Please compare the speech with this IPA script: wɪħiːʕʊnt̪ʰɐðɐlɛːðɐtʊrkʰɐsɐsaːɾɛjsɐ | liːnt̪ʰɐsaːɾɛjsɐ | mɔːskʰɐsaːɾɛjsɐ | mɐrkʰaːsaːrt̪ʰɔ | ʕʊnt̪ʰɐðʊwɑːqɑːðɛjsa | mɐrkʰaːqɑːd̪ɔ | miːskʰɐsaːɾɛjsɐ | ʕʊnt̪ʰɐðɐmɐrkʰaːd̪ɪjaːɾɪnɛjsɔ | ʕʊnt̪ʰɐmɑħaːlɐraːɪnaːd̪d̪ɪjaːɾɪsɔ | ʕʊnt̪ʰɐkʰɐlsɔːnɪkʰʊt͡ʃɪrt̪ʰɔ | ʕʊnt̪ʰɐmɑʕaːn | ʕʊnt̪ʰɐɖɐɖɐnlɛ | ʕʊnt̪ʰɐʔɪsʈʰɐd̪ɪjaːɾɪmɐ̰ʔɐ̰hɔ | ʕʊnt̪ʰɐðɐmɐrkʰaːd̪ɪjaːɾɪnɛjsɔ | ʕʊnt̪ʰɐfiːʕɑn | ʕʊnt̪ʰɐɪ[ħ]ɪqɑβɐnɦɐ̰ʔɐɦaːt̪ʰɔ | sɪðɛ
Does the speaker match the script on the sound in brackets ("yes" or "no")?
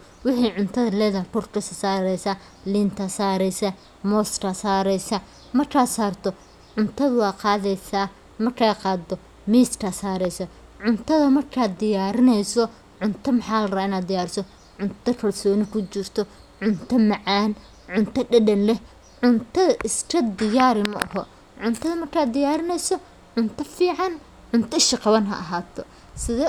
no